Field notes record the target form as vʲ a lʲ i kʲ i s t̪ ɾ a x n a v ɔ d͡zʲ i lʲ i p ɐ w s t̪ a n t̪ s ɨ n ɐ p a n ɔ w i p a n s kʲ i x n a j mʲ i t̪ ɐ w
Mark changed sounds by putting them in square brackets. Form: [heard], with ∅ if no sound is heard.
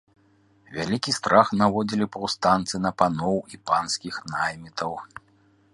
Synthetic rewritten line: vʲ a lʲ i kʲ i s t̪ ɾ a x n a v ɔ d͡zʲ i lʲ i p ɐ w s t̪ a n t̪ s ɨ n ɐ p a n ɔ w i p a n s kʲ i x n a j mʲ i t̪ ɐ w